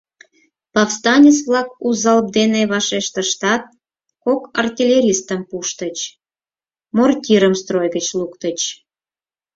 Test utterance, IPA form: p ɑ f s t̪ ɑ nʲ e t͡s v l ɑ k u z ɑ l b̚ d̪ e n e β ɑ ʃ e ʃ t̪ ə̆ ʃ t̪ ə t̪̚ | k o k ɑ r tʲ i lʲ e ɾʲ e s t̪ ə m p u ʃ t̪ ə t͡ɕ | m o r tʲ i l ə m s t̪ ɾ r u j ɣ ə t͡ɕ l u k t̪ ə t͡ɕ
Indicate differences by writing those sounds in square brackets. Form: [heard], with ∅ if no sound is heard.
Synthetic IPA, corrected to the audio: p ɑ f s t̪ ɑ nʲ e t͡s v l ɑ k u z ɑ l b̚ d̪ e n e β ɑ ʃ e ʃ t̪ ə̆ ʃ t̪ [ɑ] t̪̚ | k o k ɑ r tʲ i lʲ e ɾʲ [i] s t̪ ə m p u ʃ t̪ ə t͡ɕ | m o r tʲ i [ɾ] ə m s t̪ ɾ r [o] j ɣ ə t͡ɕ l u k t̪ ə t͡ɕ